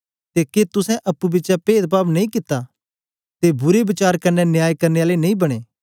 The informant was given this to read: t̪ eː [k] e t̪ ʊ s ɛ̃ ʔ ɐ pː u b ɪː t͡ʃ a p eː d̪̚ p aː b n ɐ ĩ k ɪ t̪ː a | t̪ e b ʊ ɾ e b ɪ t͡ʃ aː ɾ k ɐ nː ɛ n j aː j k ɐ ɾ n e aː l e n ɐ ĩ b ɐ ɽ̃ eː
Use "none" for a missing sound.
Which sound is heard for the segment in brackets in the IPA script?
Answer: k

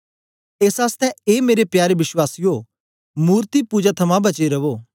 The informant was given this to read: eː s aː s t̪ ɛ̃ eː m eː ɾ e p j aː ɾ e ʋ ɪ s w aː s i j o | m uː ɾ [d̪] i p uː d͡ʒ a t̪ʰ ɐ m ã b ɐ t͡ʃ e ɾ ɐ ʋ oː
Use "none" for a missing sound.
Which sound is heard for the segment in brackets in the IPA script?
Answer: t̪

